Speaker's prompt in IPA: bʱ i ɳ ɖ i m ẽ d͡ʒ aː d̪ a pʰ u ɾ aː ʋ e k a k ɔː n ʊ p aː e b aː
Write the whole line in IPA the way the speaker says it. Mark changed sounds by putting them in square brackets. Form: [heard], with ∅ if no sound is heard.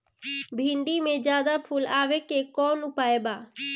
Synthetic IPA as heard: bʱ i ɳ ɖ i m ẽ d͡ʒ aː d̪ a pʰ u [l] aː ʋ e k [e] k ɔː n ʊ p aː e b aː